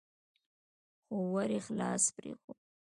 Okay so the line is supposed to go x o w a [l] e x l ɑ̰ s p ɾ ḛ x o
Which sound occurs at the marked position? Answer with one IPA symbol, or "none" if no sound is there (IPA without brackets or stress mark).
ɾ